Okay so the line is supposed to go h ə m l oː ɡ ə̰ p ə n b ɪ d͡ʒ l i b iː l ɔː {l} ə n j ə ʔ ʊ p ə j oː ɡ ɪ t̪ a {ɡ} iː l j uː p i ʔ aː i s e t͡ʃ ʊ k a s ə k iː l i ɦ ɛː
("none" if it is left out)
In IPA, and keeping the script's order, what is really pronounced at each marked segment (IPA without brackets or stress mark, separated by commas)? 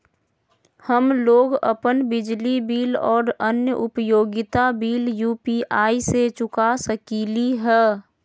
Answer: ɾ, b